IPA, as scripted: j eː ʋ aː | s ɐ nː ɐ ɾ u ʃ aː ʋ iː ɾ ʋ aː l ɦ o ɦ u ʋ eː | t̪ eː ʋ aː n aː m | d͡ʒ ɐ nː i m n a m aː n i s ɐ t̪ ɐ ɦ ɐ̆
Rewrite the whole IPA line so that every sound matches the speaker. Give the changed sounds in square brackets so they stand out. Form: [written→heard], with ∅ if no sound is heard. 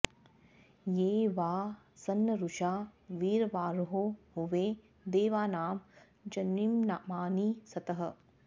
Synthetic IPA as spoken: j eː ʋ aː | s ɐ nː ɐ ɾ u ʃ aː ʋ iː ɾ ʋ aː [l→ɾ] ɦ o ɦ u ʋ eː | [t̪→d̪] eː ʋ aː n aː m | d͡ʒ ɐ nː i m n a m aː n i s ɐ t̪ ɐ ɦ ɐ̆